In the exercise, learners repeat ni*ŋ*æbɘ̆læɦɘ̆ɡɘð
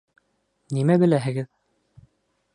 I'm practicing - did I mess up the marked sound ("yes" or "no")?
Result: yes